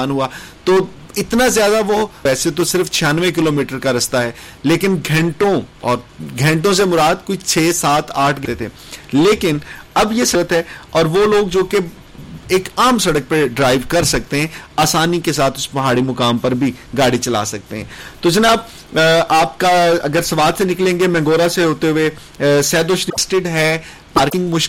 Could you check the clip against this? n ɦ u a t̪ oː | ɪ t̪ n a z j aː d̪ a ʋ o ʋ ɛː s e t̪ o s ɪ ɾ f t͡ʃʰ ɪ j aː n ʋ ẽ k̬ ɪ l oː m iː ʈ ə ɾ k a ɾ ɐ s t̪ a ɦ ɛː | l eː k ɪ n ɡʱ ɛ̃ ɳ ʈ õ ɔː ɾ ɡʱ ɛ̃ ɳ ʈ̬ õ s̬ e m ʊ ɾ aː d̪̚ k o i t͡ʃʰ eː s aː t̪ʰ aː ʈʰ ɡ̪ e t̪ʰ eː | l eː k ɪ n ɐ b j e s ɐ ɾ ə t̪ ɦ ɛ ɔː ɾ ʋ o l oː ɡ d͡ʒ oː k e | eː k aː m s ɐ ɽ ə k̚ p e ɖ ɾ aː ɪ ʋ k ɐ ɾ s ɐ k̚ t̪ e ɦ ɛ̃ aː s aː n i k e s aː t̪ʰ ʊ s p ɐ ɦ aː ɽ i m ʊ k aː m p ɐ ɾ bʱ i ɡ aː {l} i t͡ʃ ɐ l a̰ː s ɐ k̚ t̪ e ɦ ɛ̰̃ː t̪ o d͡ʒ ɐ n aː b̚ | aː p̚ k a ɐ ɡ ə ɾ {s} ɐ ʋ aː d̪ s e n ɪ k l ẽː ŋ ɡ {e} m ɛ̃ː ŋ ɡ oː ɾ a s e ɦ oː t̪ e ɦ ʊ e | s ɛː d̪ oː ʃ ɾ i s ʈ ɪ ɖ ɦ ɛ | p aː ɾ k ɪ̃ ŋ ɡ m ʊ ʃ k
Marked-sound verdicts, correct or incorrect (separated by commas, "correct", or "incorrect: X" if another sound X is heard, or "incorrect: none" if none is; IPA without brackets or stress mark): incorrect: ɽ, correct, correct